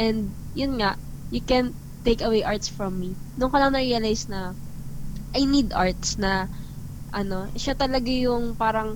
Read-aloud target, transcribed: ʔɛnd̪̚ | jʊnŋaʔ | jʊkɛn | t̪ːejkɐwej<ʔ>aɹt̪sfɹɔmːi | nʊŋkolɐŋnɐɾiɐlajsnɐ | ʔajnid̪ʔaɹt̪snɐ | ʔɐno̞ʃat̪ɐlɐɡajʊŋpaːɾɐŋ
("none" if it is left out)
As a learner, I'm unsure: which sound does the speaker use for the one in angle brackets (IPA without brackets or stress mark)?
ʔ